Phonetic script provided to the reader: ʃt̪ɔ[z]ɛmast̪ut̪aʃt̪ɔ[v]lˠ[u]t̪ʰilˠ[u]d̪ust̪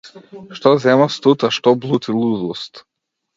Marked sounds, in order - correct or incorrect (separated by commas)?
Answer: correct, incorrect, correct, correct